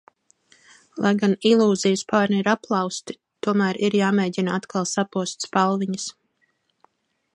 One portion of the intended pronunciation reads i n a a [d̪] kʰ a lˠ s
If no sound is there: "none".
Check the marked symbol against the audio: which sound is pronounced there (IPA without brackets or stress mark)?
t̪